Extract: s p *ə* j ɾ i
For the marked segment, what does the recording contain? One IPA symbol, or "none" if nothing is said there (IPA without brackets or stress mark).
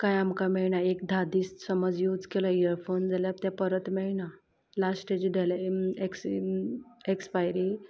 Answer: a